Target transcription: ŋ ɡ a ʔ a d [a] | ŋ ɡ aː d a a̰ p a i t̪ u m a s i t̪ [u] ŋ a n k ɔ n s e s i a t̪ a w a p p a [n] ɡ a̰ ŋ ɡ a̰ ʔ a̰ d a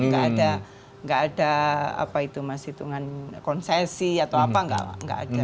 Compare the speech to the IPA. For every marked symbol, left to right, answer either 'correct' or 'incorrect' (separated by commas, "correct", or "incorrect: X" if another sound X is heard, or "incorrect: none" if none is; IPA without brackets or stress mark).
correct, correct, incorrect: ŋ